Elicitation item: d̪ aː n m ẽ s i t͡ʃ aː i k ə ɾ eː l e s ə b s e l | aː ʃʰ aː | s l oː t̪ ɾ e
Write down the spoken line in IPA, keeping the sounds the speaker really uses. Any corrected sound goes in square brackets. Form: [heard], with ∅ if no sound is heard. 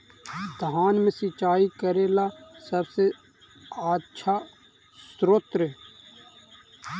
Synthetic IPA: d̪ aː n m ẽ s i t͡ʃ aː i k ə ɾ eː l [a] s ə b s e [∅] | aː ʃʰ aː | s [ɾ] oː t̪ ɾ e